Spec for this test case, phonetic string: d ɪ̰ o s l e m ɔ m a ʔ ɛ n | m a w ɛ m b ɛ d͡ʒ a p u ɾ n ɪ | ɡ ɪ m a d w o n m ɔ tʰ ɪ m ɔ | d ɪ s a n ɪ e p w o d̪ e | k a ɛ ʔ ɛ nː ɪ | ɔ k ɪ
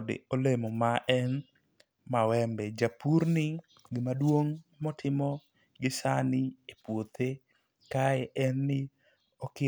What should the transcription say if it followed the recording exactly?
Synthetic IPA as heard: d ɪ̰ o l e m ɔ m a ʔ ɛ n | m a w ɛ m b ɛ d͡ʒ a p u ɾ n ɪ | ɡ ɪ m a d w o ŋ m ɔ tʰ ɪ m ɔ | ɡ ɪ s a n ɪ e p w o t̪ e | k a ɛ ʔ ɛ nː ɪ | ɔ k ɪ